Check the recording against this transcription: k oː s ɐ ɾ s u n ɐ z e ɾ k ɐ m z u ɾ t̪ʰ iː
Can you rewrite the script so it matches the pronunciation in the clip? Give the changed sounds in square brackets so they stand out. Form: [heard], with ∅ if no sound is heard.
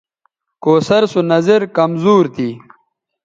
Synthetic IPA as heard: k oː s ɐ ɾ s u n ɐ z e ɾ k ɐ m z [uː] ɾ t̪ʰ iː

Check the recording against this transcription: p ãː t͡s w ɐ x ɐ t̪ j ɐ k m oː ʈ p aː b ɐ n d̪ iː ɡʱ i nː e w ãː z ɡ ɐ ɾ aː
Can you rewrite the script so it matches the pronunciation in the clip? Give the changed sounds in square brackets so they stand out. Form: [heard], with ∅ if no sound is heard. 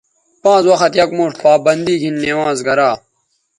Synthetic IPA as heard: p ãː t͡s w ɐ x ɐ t̪ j ɐ k m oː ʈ p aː b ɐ n d̪ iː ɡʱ i nː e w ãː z ɡ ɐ ɾ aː

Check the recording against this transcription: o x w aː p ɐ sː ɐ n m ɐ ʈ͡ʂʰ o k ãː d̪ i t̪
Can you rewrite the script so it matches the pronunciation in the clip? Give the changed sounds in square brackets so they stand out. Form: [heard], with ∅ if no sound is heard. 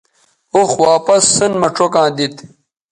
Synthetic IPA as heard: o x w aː p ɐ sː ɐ n m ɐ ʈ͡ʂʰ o k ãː d̪ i t̪

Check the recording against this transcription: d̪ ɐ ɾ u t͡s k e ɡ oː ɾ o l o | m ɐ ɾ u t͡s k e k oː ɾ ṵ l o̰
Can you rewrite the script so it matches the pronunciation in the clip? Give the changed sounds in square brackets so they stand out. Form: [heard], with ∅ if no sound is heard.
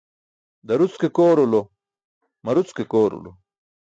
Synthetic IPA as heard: d̪ ɐ ɾ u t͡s k e [k] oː ɾ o l o | m ɐ ɾ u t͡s k e k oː ɾ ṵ l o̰

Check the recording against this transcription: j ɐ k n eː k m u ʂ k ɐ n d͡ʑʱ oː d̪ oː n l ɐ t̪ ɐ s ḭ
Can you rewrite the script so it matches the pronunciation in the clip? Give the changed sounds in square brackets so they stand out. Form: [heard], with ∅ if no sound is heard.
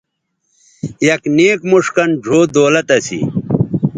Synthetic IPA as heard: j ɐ k n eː k m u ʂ k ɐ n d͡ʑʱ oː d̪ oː [∅] l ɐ t̪ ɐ s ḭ

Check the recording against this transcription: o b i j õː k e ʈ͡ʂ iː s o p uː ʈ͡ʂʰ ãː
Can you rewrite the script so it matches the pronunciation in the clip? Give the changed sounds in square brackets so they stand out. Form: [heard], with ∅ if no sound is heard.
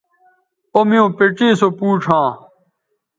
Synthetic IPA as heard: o [m] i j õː [p] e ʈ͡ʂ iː s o p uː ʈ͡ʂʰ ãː

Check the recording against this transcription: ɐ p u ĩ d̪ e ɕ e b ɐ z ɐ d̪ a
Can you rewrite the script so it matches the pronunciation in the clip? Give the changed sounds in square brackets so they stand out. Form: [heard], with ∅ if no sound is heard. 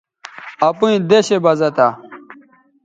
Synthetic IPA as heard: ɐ p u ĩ d̪ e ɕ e b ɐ z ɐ [t̪] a

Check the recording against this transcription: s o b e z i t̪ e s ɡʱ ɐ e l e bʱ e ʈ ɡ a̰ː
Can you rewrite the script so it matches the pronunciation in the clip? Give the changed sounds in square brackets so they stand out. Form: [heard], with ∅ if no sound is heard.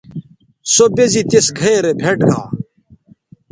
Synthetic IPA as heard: s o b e z i t̪ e s ɡʱ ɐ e [ɾ] e bʱ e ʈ ɡ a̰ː

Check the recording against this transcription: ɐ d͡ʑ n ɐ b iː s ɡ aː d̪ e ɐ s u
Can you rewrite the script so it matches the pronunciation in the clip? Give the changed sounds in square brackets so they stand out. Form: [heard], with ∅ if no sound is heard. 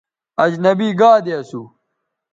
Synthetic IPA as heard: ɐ d͡ʑ n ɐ b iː [∅] ɡ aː d̪ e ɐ s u

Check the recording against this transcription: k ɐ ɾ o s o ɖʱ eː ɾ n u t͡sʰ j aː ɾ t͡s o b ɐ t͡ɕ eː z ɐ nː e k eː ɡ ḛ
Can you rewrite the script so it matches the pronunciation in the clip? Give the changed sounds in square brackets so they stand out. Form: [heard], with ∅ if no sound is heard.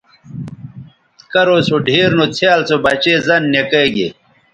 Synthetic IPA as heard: k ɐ ɾ o s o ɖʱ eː ɾ n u t͡sʰ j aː [l] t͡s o b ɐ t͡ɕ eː z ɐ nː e k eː ɡ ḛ

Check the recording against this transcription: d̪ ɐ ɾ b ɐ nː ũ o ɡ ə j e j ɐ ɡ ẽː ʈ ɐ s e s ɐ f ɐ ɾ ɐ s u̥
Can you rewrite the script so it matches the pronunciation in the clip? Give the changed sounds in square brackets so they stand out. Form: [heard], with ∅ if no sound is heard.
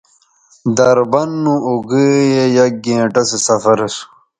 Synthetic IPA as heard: d̪ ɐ ɾ b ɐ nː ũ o ɡ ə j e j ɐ ɡ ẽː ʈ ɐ s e s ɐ f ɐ ɾ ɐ s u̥

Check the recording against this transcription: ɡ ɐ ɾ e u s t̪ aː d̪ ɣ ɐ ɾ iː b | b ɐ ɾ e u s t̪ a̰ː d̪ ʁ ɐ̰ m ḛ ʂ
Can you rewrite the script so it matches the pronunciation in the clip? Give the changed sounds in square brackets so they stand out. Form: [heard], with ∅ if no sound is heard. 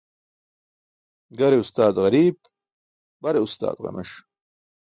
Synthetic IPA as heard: ɡ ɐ ɾ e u s t̪ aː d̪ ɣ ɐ ɾ iː b | b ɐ ɾ e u s t̪ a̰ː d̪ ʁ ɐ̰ m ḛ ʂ

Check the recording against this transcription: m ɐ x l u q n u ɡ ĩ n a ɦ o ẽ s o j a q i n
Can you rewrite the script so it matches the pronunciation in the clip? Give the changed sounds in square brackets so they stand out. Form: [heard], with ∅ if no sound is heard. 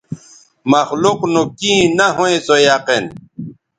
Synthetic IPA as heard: m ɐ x l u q n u [k] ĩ n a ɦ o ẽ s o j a q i n

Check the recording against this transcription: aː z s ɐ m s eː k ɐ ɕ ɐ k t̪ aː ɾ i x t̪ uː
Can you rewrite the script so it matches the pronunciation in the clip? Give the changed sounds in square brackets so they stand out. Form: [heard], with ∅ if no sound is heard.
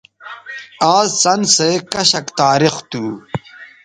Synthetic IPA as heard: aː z s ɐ [n] s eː k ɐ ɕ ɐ k t̪ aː ɾ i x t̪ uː

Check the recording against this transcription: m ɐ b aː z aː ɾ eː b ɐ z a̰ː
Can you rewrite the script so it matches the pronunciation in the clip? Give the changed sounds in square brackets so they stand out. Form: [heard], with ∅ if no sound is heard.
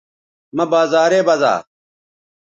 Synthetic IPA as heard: m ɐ b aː z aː ɾ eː b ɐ z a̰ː

